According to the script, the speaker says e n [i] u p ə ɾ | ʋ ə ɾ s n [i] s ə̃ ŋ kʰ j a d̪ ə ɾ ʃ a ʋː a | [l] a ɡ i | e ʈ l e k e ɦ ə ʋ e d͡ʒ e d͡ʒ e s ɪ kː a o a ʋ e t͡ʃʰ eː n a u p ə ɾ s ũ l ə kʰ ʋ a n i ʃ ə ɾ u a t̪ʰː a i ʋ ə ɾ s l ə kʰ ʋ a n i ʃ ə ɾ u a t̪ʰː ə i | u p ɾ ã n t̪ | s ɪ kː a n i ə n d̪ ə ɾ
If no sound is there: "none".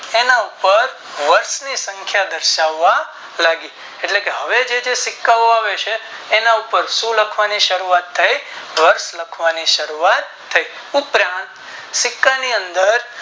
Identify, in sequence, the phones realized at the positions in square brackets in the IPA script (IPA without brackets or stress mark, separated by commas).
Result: a, i, l